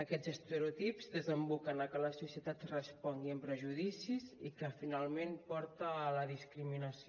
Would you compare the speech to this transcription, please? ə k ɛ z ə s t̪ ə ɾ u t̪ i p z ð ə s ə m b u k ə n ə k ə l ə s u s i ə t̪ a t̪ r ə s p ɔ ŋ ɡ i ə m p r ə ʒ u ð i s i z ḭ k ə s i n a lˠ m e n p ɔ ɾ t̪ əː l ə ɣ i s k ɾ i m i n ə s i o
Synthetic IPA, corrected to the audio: ə k ɛ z ə s t̪ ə ɾ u t̪ i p z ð ə z ə m b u k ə n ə k ə l ə s u s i ə t̪ a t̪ r ə s p ɔ ŋ ɡ i ə m p ɾ ə ʒ u ð i s i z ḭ k ə f i n a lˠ m e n p ɔ ɾ t̪ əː l ə ð i s k ɾ i m i n ə s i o